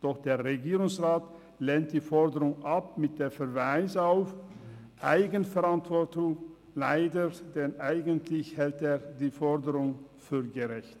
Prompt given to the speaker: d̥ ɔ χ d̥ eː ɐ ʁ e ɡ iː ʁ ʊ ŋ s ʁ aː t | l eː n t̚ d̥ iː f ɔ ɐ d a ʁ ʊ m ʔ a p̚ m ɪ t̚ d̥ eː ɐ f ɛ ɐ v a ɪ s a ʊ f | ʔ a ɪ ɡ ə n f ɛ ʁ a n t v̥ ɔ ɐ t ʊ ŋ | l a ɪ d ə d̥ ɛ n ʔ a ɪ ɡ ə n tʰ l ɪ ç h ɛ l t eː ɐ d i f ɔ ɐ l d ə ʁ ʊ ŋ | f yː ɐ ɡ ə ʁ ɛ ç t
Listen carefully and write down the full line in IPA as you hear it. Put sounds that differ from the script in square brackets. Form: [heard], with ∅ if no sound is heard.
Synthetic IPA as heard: d̥ ɔ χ d̥ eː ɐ ʁ e ɡ iː ʁ ʊ ŋ s ʁ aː t | l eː n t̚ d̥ iː f ɔ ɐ d [ə] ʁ ʊ [ŋ] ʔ a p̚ m ɪ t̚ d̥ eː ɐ f ɛ ɐ v a ɪ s a ʊ f | ʔ a ɪ ɡ ə n f ɛ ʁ a n t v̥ ɔ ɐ t ʊ ŋ | l a ɪ d ə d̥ ɛ n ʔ a ɪ ɡ ə n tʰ l ɪ ç h ɛ l t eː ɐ d [iː] f ɔ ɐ [∅] d ə ʁ ʊ ŋ | f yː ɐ ɡ ə ʁ ɛ ç t